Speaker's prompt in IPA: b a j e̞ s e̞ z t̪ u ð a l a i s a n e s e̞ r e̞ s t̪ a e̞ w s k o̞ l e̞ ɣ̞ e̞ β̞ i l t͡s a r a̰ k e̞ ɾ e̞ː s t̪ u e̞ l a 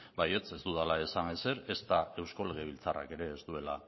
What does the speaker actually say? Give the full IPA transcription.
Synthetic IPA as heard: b a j e̞ t͡s e̞ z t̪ u ð a l a e s a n e s e̞ ɾ e̞ s t̪ a e̞ w s k o̞ l e̞ ɣ̞ e̞ β̞ i l t͡s a r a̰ k e̞ ɾ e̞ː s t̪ u e̞ l a